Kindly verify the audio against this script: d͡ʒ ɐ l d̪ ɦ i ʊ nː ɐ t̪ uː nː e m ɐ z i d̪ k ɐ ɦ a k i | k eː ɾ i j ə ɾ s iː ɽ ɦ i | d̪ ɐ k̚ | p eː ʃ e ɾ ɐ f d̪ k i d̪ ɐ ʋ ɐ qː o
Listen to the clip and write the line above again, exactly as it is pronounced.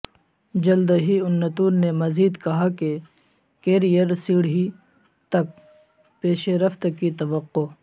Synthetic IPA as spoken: d͡ʒ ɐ l d̪ ɦ i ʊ nː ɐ t̪ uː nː e m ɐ z iː d̪ k ɐ ɦ a k e | k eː ɾ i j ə ɾ s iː ɽ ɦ i | t̪ ɐ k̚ | p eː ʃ e ɾ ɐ f t̪ k i t̪ ɐ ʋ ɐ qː o

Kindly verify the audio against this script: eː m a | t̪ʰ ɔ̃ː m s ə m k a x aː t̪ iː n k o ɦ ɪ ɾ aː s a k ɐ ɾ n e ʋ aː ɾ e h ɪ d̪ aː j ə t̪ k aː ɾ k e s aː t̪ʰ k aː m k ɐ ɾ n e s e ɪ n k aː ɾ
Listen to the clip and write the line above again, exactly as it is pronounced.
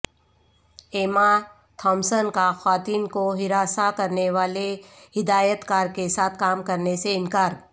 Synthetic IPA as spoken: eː m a | t̪ʰ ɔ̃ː m s ə n k a x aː t̪ iː n k o ɦ ɪ ɾ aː s a k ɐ ɾ n e ʋ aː l e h ɪ d̪ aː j ə t̪ k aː ɾ k e s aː t̪ʰ k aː m k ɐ ɾ n e s e ɪ n k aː ɾ

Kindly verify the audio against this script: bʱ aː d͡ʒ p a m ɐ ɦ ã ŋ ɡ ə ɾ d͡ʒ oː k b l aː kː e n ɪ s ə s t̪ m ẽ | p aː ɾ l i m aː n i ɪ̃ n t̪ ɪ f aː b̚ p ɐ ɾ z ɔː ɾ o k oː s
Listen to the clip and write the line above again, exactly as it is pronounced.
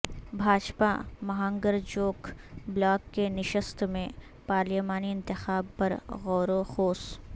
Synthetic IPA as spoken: bʱ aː d͡ʒ p a m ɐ ɦ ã ŋ ɡ ə ɾ d͡ʒ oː k b l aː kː e n ɪ ʃ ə s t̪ m ẽ | p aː ɾ l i m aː n i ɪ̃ n t̪ ɪ x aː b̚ p ɐ ɾ ɣ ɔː ɾ o x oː s

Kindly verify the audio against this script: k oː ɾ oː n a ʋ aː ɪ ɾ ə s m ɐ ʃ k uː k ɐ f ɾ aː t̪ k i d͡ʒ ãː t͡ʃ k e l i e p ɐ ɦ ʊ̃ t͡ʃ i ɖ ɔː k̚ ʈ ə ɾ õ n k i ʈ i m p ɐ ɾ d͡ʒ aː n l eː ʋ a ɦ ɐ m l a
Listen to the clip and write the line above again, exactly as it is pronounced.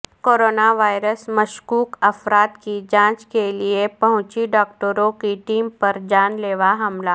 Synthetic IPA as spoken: k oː ɾ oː n a ʋ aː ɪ ɾ ə s m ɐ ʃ k uː k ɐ f ɾ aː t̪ k i d͡ʒ ãː t͡ʃ k e l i e p ɐ ɦ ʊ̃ t͡ʃ i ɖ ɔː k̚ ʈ ə ɾ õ k i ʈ iː m p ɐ ɾ d͡ʒ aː n l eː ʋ a ɦ ɐ m l a

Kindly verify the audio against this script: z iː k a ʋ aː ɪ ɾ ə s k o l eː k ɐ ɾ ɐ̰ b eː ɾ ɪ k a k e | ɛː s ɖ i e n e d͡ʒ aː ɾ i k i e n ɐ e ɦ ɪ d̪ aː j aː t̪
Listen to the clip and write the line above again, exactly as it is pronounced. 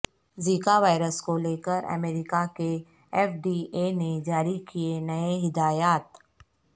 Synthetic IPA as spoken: z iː k a ʋ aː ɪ ɾ ə s k o l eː k ə ɾ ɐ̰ m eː ɾ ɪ k a k e | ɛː f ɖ i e n e d͡ʒ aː ɾ i k i e n ɐ e ɦ ɪ d̪ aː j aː t̪

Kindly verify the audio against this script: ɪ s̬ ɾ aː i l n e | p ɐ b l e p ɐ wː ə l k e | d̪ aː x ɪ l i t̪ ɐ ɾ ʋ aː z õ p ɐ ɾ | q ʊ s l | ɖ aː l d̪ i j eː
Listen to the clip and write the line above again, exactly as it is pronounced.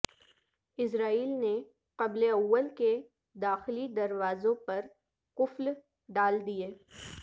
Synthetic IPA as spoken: ɪ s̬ ɾ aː iː l n e | q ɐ b l e ɐ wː ə l k e | d̪ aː x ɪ l i d̪ ɐ ɾ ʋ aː z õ p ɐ ɾ | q ʊ f l | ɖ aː l d̪ i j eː

